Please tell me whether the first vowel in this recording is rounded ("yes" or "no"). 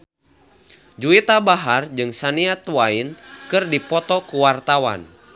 yes